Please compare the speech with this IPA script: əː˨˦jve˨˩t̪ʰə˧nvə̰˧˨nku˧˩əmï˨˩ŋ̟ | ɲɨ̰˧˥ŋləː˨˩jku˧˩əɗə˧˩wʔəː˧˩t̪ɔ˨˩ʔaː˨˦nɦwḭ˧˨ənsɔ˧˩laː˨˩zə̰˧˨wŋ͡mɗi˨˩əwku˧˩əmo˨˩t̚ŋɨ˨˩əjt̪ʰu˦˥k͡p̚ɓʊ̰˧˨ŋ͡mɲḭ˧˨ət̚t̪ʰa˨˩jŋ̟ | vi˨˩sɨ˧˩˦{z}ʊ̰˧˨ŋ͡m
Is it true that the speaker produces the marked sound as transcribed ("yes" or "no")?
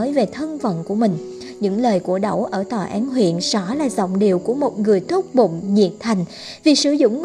yes